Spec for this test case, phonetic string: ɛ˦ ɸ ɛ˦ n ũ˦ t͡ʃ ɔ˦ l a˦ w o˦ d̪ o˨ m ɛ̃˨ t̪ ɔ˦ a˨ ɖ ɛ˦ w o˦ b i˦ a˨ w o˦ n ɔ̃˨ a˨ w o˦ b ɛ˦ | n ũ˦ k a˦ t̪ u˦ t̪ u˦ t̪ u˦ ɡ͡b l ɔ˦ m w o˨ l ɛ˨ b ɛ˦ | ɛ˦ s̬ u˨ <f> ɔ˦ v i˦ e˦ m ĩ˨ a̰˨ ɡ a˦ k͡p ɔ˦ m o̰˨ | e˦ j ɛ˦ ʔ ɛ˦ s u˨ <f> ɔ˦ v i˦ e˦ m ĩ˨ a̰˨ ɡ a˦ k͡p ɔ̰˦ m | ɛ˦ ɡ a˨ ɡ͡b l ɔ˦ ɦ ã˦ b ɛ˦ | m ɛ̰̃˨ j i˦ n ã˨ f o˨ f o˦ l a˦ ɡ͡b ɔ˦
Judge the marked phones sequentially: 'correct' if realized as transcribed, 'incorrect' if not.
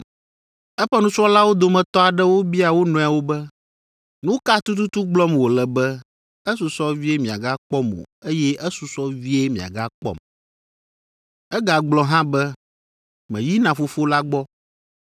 incorrect, incorrect

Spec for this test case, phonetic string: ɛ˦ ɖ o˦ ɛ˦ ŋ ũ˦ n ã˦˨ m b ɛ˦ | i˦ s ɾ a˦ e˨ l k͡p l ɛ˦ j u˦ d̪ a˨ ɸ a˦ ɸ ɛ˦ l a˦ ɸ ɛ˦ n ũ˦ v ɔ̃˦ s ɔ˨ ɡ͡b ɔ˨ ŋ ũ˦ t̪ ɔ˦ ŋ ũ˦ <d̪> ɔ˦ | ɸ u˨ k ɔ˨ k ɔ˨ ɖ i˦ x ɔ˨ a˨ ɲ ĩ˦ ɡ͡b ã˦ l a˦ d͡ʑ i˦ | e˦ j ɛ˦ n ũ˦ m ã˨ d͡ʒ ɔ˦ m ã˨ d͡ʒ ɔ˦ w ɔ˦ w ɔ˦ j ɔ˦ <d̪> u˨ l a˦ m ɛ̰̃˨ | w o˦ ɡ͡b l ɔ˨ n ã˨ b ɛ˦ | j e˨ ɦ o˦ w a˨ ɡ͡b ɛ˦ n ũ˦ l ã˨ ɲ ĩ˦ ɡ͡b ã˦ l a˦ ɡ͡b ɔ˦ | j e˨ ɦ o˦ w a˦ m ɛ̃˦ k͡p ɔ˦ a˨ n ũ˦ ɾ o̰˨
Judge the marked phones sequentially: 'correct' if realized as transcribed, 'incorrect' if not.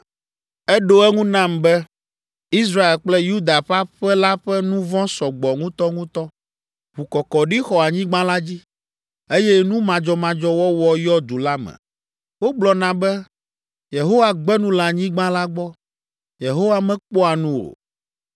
incorrect, correct

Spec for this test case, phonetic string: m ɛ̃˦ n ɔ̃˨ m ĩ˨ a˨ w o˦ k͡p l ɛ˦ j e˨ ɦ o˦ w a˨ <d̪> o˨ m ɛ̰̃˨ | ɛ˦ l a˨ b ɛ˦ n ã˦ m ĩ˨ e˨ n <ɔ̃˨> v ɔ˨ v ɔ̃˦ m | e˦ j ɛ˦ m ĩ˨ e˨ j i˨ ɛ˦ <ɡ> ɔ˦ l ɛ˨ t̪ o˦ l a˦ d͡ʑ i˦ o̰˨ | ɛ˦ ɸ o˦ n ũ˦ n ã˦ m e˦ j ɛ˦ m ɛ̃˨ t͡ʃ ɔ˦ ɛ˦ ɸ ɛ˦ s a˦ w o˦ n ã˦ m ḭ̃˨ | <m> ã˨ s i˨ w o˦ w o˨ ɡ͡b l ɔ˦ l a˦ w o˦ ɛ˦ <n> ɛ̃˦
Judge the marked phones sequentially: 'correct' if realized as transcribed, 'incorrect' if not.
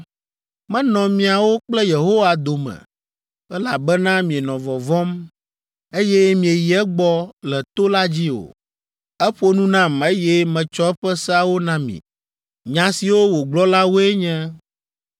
correct, correct, incorrect, incorrect, incorrect

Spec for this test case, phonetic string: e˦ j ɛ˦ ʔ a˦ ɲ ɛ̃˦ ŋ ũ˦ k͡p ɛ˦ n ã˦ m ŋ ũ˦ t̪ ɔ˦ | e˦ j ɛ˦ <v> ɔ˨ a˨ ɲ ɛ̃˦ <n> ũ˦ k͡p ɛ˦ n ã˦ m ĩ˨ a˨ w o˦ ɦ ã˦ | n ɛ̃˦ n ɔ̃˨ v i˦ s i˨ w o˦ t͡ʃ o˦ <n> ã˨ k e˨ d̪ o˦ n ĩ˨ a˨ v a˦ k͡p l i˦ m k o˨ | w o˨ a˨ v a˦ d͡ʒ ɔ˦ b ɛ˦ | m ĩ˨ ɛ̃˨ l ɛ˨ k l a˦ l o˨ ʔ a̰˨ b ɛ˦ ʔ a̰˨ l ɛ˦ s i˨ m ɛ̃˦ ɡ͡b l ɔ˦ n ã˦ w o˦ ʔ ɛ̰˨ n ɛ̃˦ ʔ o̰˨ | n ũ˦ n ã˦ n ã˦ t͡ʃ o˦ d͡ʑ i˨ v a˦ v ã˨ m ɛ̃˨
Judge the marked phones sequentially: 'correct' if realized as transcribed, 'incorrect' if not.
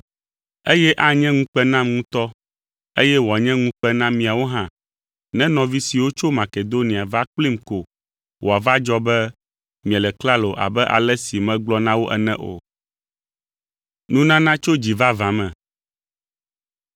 incorrect, incorrect, incorrect

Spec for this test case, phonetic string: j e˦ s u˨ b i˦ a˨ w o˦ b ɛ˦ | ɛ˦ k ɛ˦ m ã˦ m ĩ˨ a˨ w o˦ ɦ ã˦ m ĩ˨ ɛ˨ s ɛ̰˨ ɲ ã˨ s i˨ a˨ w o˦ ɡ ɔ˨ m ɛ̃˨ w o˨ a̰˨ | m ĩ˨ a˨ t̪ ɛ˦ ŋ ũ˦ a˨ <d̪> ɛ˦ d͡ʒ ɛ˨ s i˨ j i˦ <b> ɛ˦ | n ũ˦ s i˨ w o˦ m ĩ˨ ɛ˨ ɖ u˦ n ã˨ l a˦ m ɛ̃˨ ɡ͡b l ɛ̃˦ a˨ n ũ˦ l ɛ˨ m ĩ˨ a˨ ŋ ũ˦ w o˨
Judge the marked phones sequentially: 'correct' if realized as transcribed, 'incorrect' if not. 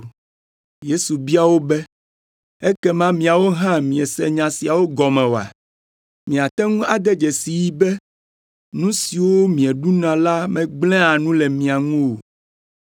correct, correct

